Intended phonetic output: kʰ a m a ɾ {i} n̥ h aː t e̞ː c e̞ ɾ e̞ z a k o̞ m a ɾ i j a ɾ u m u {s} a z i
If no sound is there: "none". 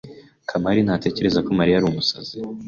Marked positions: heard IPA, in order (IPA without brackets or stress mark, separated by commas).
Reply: i, s